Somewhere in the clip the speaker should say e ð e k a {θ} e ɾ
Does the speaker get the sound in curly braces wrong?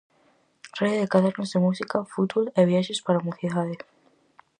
yes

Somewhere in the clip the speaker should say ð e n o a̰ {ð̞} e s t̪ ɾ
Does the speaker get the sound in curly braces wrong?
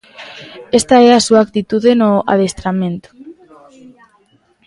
no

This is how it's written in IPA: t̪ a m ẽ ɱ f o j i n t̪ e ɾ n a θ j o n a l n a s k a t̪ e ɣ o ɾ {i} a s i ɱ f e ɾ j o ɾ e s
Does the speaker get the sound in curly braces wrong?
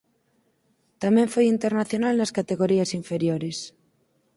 no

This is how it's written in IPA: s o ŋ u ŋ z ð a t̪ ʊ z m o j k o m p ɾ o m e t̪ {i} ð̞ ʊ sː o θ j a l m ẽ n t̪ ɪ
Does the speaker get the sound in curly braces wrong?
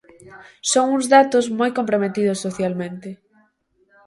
no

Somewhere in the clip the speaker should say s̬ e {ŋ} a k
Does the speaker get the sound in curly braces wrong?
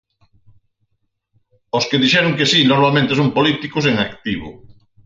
no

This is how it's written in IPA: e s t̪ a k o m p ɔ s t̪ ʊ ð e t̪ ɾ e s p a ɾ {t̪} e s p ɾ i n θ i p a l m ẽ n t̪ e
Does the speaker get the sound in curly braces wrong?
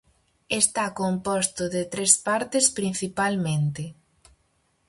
no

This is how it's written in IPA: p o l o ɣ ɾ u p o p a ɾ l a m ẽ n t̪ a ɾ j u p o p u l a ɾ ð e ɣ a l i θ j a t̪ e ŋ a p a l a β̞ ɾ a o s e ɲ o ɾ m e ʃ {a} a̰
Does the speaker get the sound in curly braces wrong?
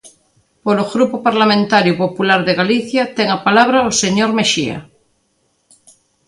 yes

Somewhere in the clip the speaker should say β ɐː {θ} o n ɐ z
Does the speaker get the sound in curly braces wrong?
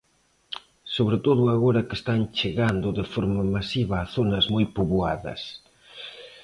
no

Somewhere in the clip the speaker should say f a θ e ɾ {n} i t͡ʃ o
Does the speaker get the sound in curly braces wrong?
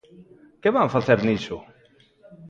no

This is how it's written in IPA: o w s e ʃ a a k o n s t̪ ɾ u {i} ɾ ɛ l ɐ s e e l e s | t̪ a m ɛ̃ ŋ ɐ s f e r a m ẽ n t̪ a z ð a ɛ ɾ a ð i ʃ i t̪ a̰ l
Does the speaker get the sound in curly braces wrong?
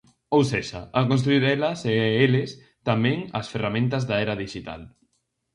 no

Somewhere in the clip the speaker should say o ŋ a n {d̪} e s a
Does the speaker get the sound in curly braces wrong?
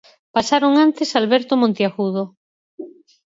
yes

